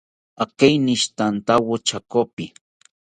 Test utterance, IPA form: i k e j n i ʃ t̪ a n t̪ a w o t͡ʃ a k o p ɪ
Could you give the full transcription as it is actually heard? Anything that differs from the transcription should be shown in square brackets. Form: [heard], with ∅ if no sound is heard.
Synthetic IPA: [a] k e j n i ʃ t̪ a n t̪ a w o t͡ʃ a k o p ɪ